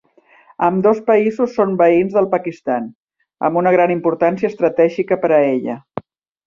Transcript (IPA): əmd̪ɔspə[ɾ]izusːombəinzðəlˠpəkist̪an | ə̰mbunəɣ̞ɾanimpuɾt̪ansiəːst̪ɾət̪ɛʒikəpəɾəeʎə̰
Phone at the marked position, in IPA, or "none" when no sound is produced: none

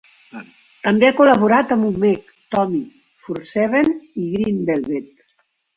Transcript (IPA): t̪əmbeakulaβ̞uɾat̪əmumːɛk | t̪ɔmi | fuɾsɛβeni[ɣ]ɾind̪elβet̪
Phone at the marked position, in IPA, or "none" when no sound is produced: ɣ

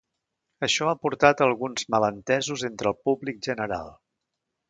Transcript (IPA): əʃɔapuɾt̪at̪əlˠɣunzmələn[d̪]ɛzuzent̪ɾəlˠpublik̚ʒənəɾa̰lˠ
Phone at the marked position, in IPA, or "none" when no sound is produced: t̪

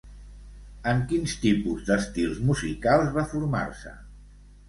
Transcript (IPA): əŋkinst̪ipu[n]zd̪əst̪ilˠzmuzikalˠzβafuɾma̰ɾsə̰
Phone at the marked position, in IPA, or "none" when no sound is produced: none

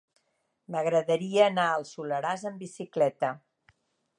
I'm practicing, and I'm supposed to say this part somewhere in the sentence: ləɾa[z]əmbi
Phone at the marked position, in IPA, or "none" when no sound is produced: z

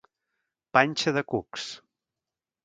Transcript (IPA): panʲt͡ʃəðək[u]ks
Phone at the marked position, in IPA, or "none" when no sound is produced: u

